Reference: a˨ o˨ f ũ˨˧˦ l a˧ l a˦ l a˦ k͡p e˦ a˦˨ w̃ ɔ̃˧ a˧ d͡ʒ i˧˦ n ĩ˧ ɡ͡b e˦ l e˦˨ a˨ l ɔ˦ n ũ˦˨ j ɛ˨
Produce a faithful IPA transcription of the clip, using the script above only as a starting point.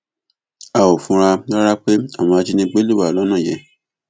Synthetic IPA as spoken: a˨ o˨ f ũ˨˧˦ ɾ a˧ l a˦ ɾ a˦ k͡p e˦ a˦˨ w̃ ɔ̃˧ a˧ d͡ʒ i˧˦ n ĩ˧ ɡ͡b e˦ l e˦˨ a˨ l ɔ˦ n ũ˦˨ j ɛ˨